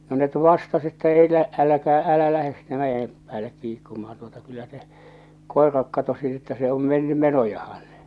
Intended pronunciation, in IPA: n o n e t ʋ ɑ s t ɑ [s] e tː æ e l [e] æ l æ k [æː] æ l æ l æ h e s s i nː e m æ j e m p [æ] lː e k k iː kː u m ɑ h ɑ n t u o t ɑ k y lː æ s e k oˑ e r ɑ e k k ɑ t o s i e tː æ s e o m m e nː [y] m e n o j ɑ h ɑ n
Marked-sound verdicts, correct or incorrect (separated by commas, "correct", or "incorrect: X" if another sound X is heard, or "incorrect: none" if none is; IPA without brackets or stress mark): correct, incorrect: æ, correct, incorrect: æː, correct